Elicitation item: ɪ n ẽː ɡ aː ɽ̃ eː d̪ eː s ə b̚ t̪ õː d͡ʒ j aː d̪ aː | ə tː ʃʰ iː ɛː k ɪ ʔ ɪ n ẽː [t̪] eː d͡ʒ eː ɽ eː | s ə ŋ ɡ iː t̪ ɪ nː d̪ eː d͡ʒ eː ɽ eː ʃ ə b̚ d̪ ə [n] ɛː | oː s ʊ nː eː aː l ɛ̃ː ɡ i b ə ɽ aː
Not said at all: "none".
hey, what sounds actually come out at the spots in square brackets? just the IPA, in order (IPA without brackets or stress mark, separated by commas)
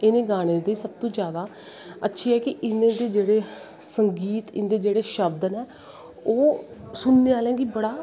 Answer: d̪, n